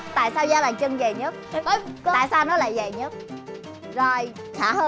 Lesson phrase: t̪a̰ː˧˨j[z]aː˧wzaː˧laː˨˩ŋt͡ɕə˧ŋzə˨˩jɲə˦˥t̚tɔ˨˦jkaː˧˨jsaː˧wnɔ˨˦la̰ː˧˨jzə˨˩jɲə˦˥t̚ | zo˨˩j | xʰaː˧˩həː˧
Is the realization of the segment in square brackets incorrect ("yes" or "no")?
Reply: yes